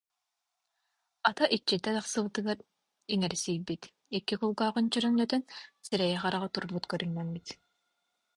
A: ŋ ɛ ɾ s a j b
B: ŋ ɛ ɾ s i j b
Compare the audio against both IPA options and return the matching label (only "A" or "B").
B